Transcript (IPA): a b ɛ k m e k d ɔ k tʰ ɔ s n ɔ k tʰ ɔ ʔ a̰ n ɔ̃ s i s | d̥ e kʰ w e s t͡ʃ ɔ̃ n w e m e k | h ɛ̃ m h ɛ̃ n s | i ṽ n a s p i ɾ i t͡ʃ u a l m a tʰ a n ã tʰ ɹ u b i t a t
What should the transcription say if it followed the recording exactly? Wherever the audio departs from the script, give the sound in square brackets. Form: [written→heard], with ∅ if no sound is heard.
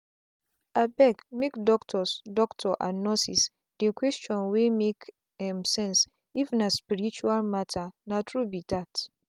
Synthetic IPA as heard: a b ɛ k m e k d ɔ k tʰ ɔ s [n→d] ɔ k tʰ ɔ ʔ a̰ n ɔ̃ s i s | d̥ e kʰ w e s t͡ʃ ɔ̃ n w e m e k | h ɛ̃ m [h→s] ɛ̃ n s | i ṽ n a s p i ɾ i t͡ʃ u a l m a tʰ a n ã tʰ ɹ u b i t a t